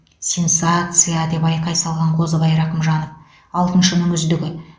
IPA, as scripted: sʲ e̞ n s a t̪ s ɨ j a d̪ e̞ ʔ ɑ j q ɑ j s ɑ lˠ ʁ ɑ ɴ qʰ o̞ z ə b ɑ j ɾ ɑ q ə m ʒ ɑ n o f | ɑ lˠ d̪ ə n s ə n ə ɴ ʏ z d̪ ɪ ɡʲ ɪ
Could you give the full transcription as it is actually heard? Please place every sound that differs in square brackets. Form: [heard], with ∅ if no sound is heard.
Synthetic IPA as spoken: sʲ e̞ n s a t̪ s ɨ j a d̪ e̞ [p] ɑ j q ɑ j s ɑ lˠ ʁ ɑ ɴ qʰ o̞ z ə b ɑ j ɾ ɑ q ə m ʒ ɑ n o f | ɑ lˠ [t̪] ə n [ʃ] ə n ə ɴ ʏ z d̪ ɪ ɡʲ ɪ